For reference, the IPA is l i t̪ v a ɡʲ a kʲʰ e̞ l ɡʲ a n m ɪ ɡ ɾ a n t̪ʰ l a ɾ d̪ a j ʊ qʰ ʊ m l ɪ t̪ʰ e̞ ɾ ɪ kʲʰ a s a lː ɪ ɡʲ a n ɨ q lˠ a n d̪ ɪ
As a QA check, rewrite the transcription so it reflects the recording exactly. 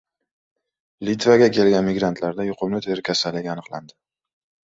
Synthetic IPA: l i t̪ v a ɡʲ a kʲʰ e̞ l ɡʲ a n m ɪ ɡ ɾ a n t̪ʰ l a ɾ d̪ a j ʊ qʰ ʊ m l ɪ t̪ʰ e̞ ɾ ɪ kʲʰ a s a lː ɪ ɡʲ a n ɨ q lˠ a n d̪ ɪ